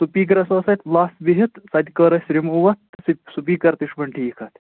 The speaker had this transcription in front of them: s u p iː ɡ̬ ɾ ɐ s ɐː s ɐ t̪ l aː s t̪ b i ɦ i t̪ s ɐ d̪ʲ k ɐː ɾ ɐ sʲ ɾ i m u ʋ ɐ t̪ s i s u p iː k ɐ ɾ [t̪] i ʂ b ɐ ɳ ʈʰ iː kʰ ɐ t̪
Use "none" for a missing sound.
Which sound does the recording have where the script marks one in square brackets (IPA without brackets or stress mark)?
t̪